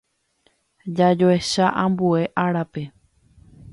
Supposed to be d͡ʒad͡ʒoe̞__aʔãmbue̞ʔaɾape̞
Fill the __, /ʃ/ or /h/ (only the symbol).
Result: ʃ